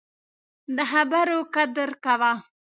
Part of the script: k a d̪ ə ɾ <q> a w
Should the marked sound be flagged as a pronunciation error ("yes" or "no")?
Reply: yes